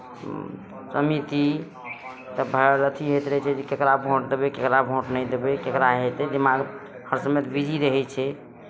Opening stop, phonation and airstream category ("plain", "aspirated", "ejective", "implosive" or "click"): plain